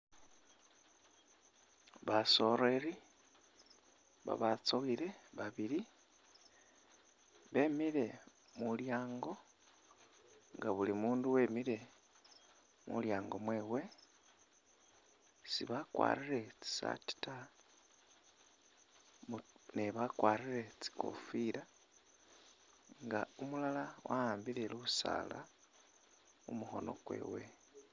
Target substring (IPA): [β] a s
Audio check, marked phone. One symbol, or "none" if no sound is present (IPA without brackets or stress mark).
β